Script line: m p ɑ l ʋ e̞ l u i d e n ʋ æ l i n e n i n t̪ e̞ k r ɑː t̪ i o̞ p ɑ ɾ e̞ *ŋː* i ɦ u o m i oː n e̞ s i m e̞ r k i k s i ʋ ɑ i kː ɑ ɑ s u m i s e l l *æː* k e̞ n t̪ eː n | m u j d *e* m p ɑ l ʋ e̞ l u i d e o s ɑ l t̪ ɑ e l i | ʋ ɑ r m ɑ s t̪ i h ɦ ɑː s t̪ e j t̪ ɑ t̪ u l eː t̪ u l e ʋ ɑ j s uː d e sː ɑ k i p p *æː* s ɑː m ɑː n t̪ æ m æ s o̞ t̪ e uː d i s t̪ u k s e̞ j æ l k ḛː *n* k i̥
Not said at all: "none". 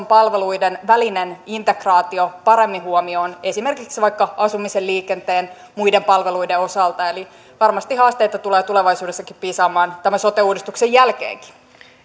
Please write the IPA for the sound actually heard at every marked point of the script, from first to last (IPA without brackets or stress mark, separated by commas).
mː, iː, e, iː, ŋ